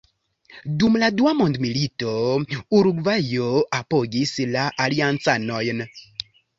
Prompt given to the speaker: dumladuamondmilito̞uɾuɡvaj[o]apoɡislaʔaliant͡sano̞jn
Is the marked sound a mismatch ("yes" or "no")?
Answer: no